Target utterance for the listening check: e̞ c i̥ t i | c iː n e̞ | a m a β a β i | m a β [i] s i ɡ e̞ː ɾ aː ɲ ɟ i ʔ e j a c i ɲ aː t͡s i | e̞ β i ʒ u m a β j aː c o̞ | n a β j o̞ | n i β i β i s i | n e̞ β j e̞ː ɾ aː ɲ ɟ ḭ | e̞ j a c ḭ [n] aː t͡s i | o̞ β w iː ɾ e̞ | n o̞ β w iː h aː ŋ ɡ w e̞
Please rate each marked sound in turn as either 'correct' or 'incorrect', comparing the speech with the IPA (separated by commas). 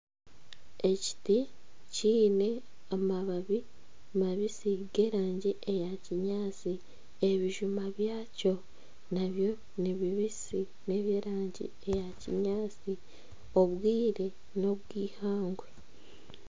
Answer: correct, incorrect